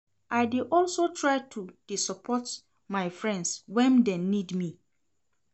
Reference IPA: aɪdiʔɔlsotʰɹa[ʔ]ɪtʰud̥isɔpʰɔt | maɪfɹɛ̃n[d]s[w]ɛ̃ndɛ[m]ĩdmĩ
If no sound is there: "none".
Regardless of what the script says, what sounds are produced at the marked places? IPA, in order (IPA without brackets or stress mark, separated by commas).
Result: none, d, w, n